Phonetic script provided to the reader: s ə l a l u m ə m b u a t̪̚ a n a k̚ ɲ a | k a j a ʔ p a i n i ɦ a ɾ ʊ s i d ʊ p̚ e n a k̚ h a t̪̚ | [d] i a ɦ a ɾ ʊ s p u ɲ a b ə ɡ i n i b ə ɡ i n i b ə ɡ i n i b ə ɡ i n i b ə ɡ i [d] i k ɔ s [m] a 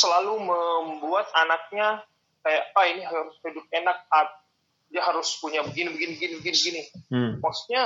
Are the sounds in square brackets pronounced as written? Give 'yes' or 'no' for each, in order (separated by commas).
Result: yes, no, no